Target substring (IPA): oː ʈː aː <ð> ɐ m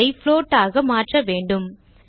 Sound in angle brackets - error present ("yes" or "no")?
yes